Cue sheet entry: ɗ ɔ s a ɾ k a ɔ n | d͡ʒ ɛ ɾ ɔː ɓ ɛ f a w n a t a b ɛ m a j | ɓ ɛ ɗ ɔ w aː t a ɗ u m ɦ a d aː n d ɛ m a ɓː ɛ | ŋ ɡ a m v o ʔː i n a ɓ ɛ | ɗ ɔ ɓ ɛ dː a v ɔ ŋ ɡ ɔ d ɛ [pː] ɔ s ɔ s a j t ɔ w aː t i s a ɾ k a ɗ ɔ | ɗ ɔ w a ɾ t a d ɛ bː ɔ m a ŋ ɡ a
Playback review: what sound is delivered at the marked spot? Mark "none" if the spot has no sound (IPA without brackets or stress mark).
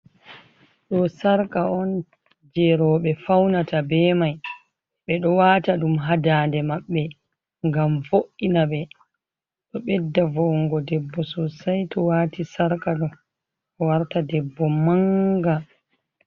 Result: bː